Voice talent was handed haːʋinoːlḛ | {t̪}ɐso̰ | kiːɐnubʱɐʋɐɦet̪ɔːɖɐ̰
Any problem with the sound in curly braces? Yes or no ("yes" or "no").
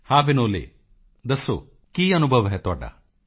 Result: yes